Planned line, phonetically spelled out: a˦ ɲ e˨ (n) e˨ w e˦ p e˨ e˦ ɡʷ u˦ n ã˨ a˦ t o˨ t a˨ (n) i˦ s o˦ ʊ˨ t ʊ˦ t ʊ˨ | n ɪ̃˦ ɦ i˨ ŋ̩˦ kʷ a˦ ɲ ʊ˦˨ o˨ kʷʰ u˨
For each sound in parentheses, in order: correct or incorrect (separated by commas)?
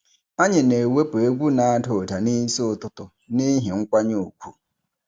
correct, correct